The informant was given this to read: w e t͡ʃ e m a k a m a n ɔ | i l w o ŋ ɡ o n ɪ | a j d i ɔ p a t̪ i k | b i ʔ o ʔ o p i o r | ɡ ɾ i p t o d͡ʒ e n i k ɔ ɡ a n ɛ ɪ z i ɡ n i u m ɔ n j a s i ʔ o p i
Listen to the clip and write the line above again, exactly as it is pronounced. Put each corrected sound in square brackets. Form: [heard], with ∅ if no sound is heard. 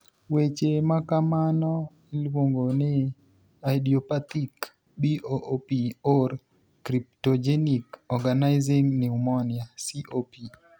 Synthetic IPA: w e t͡ʃ e m a k a m a n ɔ | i l w o ŋ ɡ o n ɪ | a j d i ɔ p a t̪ i k | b i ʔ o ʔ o p i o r | [k] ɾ i p t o d͡ʒ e n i k ɔ ɡ a n [a] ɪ z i [ŋ] n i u m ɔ n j a s i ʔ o p i